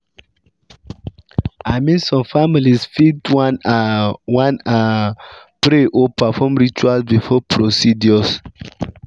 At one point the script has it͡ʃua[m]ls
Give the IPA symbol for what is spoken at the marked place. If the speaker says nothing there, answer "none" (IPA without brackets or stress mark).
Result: none